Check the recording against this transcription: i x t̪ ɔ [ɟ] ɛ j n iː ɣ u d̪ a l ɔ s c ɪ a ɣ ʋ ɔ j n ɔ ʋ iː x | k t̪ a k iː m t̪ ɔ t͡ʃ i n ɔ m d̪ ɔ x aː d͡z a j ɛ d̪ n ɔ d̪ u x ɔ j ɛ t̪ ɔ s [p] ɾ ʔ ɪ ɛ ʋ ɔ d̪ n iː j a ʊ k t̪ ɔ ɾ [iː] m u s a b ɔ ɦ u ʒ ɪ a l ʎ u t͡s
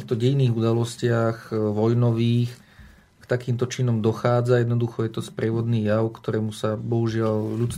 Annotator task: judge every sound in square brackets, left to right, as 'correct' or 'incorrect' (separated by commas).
correct, correct, incorrect